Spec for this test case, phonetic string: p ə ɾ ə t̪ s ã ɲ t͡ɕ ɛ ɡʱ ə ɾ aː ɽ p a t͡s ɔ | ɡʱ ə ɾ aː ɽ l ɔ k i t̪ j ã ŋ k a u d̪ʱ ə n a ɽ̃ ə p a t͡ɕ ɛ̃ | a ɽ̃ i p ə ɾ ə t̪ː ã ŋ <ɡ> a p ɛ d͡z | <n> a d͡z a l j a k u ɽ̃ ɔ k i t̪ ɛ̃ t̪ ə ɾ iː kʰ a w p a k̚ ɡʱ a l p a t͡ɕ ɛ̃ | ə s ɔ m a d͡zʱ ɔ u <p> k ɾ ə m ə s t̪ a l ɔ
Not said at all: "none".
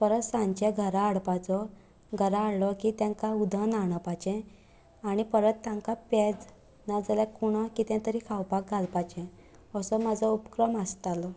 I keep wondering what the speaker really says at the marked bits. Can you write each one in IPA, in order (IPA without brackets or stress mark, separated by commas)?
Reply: k, n, p